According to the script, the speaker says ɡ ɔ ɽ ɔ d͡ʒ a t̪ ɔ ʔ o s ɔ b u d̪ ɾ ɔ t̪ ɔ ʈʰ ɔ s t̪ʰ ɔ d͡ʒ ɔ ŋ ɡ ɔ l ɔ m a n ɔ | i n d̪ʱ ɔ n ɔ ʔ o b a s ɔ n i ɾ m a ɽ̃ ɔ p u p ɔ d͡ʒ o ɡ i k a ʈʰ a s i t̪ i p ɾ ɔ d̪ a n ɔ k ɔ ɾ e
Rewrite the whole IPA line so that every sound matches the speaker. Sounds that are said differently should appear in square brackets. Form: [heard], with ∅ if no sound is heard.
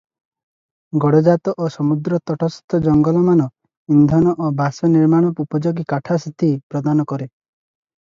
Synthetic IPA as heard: ɡ ɔ ɽ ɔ d͡ʒ a t̪ ɔ ʔ o s ɔ [m] u d̪ ɾ ɔ t̪ ɔ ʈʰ ɔ s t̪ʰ ɔ d͡ʒ ɔ ŋ ɡ ɔ l ɔ m a n ɔ | i n d̪ʱ ɔ n ɔ ʔ o b a s ɔ n i ɾ m a ɽ̃ ɔ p u p ɔ d͡ʒ o ɡ i k a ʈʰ a s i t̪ i p ɾ ɔ d̪ a n ɔ k ɔ ɾ e